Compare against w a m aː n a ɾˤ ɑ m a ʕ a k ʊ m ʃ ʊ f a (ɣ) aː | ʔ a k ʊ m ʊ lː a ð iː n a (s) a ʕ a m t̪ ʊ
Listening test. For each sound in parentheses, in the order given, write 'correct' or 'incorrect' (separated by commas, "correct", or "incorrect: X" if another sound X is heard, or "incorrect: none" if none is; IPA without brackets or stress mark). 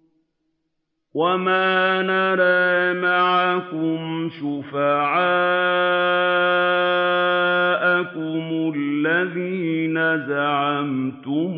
incorrect: ʕ, incorrect: z